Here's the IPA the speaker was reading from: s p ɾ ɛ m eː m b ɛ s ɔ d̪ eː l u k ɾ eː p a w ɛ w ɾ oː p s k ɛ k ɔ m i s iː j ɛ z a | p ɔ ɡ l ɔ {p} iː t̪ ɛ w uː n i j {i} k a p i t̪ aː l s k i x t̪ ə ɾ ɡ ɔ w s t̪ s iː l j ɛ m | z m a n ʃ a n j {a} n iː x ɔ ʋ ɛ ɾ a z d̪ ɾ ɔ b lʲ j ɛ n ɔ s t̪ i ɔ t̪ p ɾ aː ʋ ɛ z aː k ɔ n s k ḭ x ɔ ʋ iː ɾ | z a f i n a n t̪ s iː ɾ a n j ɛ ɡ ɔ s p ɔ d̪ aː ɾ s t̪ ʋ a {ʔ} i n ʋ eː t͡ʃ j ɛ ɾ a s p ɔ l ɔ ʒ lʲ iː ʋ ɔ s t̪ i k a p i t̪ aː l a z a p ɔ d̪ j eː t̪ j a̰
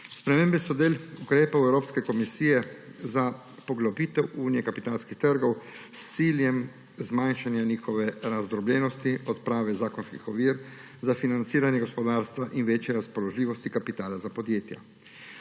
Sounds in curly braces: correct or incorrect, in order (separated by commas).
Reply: incorrect, incorrect, correct, correct